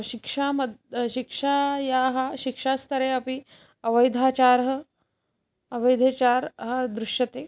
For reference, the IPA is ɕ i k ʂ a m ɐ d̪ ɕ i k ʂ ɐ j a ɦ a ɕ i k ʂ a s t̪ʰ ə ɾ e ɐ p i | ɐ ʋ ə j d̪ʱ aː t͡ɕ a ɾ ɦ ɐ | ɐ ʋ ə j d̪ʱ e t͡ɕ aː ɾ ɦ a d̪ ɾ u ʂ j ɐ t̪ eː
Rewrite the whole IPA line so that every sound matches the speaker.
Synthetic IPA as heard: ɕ i k ʂ a m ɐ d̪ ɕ i k ʂ a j a ɦ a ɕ i k ʂ a s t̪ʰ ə ɾ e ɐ p i | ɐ ʋ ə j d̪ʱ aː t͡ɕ a ɾ ɦ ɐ | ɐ ʋ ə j d̪ʱ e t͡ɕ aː ɾ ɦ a d̪ ɾ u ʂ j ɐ t̪ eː